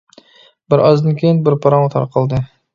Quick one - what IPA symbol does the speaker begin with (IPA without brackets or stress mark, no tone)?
b